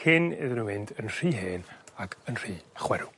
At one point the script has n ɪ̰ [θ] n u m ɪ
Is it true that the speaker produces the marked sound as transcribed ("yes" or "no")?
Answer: no